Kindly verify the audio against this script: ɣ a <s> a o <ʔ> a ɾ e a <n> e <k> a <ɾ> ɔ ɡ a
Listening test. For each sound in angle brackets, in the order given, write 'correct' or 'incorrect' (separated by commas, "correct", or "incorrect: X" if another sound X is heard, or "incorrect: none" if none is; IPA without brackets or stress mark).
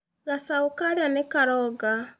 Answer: correct, incorrect: k, correct, correct, correct